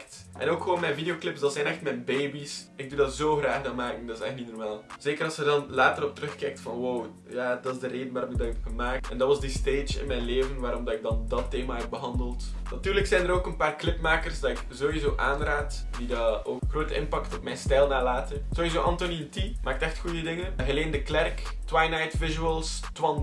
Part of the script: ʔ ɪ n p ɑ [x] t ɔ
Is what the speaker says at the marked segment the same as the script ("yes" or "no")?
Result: no